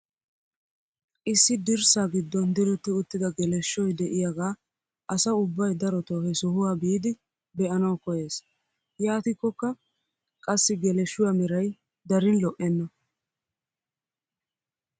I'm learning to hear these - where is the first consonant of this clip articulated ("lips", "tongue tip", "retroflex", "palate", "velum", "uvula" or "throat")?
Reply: throat